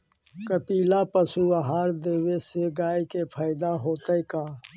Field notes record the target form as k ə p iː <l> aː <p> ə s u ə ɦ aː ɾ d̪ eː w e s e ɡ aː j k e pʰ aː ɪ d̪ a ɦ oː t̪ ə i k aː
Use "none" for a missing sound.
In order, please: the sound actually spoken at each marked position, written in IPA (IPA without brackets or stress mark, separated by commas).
l, p